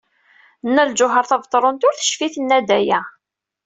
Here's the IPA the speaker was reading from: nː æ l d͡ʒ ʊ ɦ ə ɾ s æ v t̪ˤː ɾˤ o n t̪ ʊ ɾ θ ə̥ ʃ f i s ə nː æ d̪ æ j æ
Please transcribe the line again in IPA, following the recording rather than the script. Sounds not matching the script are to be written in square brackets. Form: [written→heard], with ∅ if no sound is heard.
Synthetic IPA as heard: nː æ l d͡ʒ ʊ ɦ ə ɾ [s→θ] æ v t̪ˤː ɾˤ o n t̪ ʊ ɾ θ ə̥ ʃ f i [s→θ] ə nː æ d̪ æ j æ